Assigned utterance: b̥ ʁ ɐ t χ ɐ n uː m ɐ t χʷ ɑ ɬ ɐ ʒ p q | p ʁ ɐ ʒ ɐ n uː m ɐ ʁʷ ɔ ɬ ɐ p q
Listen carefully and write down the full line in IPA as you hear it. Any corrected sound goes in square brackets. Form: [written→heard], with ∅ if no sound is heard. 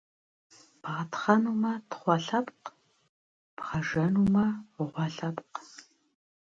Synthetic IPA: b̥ ʁ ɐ t χ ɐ n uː m ɐ t χʷ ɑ ɬ ɐ [ʒ→∅] p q | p ʁ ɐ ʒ ɐ n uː m ɐ ʁʷ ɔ ɬ ɐ p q

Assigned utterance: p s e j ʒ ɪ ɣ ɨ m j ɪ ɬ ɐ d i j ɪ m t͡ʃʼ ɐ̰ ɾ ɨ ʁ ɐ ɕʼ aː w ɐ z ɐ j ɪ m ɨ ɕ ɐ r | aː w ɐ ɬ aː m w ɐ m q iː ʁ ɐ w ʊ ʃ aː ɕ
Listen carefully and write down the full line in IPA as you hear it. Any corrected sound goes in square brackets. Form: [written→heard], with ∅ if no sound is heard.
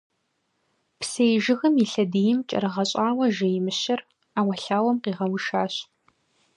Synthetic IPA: p s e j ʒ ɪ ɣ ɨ m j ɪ ɬ ɐ d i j ɪ m t͡ʃʼ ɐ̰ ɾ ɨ ʁ ɐ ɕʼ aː w ɐ [z→ʒ] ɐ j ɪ m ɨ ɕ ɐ r | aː w ɐ ɬ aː [m→∅] w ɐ m q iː ʁ ɐ w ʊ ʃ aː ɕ

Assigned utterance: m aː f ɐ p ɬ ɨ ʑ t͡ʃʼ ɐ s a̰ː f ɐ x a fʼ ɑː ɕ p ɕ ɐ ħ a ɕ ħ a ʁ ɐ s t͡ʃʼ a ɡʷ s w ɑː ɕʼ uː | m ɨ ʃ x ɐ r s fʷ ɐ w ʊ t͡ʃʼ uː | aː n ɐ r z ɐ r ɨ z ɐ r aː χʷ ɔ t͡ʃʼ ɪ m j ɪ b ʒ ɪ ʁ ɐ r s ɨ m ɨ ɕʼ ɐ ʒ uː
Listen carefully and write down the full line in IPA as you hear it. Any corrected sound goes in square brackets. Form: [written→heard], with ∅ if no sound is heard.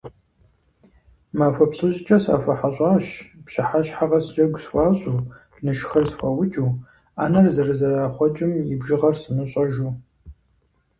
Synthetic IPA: m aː f ɐ p ɬ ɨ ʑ t͡ʃʼ ɐ s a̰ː f ɐ [x→ħ] a [fʼ→ɕʼ] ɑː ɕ p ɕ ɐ ħ a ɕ ħ a ʁ ɐ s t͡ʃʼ [a→ɐ] ɡʷ s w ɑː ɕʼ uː | [m→n] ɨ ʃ x ɐ r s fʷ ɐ w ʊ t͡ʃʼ uː | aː n ɐ r z ɐ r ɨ z ɐ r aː χʷ ɔ t͡ʃʼ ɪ m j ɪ b ʒ ɪ ʁ ɐ r s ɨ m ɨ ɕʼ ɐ ʒ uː

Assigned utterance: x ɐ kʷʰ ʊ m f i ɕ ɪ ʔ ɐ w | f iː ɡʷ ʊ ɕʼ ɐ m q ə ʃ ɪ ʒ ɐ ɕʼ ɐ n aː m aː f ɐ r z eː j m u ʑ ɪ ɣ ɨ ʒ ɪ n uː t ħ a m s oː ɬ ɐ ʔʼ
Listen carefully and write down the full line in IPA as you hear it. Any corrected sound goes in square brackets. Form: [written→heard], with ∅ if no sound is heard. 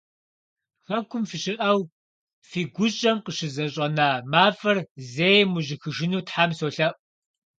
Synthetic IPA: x ɐ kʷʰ ʊ m f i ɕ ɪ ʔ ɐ w | f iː ɡʷ ʊ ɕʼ ɐ m q ə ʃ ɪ [ʒ→z] ɐ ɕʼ ɐ n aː m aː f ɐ r z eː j m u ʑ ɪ [ɣ→x] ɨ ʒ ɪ n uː t ħ a m s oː ɬ ɐ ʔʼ

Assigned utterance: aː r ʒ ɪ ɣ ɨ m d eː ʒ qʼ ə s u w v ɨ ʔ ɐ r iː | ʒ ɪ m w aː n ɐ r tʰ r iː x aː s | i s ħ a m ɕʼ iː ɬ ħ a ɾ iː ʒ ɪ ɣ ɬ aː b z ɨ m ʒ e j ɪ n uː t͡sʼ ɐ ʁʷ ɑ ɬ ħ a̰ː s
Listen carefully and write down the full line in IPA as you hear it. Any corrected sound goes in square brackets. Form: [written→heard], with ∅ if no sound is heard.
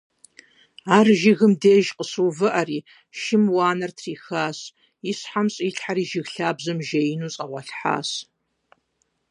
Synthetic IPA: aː r ʒ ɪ ɣ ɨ m d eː ʒ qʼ ə s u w v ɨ ʔ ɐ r iː | [ʒ→ʃ] ɪ m w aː n ɐ r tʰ r iː x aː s | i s ħ a m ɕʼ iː ɬ ħ a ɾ iː ʒ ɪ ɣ ɬ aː b z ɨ m ʒ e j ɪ n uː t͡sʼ ɐ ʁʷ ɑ ɬ ħ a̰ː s

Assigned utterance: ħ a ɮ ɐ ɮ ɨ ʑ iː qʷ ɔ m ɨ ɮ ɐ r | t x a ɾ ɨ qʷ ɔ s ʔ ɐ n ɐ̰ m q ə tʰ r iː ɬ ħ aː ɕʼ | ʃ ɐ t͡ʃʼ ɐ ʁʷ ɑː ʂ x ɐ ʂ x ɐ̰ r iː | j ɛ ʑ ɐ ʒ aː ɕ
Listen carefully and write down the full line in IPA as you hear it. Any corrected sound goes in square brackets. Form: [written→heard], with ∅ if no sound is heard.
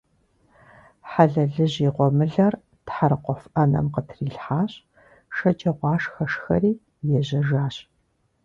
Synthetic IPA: ħ a ɮ ɐ ɮ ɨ ʑ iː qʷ ɔ m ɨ ɮ ɐ r | t [x→ħ] a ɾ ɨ qʷ ɔ [s→f] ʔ ɐ n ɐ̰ m q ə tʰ r iː ɬ ħ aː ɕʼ | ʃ ɐ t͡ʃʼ ɐ ʁʷ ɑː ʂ x ɐ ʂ x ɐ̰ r iː | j ɛ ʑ ɐ ʒ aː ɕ

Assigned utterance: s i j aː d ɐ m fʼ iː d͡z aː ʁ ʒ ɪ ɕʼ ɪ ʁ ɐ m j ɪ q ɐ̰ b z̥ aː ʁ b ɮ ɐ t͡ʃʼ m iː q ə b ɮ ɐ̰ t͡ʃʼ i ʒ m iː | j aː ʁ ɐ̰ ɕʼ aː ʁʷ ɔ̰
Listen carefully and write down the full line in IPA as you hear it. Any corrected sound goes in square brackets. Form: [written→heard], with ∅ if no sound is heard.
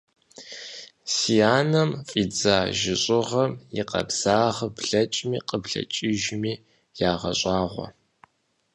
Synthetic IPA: s i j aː [d→n] ɐ m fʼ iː d͡z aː [ʁ→∅] ʒ ɪ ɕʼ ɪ ʁ ɐ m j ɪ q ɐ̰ b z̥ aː ʁ b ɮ ɐ t͡ʃʼ m iː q ə b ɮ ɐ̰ t͡ʃʼ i ʒ m iː | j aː ʁ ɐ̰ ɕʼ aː ʁʷ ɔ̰

